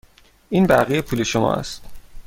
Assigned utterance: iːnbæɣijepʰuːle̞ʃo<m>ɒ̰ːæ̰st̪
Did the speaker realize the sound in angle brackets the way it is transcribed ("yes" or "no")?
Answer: yes